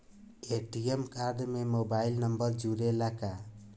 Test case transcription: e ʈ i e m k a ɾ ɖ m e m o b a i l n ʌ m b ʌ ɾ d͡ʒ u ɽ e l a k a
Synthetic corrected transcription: e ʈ i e m k a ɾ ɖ m e m o b a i l n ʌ m b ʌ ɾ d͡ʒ u ɾ e l a k a